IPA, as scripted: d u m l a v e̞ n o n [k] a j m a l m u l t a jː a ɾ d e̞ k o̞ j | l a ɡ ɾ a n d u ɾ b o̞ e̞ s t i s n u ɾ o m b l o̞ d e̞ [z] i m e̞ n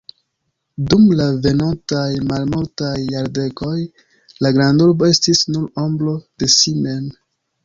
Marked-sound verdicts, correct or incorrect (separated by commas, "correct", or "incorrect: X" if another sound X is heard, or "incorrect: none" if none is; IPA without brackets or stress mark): incorrect: t, incorrect: s